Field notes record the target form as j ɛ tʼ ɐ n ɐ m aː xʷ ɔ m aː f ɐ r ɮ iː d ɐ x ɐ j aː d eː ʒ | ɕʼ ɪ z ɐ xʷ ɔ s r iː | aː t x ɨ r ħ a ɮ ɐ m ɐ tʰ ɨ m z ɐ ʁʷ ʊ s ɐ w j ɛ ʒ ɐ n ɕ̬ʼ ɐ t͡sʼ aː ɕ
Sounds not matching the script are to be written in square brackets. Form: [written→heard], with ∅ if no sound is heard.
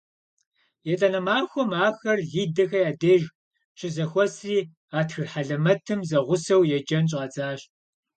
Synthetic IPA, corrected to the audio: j ɛ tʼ ɐ n ɐ m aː xʷ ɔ m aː [f→x] ɐ r ɮ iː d ɐ x ɐ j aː d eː ʒ | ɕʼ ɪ z ɐ xʷ ɔ s r iː | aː t x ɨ r ħ a ɮ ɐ m ɐ tʰ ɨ m z ɐ ʁʷ ʊ s ɐ w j ɛ [ʒ→d͡ʒ] ɐ n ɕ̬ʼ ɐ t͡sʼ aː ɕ